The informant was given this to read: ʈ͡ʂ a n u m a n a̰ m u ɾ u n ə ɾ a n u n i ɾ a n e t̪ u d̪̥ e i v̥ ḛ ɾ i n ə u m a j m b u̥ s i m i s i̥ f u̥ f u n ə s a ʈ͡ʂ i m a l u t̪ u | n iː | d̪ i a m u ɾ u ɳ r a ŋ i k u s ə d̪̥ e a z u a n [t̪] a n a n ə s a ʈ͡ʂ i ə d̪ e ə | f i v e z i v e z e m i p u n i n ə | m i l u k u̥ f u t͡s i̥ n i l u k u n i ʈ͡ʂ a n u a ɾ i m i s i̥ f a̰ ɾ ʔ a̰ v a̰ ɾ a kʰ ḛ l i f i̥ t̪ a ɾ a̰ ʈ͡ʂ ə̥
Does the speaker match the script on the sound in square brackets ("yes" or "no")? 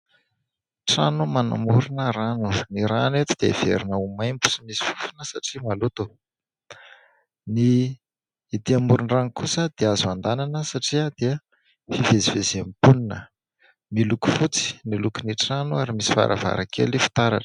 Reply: no